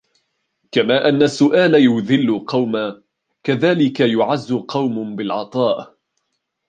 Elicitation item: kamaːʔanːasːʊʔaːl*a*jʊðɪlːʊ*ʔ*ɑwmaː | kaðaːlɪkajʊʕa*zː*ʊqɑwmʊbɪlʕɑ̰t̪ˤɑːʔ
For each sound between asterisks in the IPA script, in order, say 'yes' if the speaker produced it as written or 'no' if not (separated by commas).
yes, no, yes